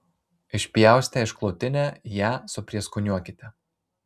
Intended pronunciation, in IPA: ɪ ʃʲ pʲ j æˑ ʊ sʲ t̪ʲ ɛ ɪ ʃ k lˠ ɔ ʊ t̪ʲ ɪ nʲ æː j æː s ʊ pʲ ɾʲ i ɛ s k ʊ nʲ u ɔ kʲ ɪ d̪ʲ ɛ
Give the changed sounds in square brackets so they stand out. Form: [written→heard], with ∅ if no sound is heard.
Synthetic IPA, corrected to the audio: ɪ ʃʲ pʲ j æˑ ʊ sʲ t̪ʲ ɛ ɪ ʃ k lˠ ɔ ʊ t̪ʲ ɪ nʲ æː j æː s ʊ pʲ ɾʲ i ɛ s k ʊ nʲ u ɔ kʲ ɪ [d̪ʲ→t̪ʲ] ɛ